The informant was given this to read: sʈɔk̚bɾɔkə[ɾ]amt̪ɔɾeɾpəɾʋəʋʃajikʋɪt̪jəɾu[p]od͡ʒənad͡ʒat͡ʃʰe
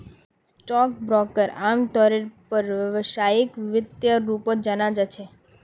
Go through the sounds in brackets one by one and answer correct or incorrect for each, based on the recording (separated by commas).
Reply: correct, correct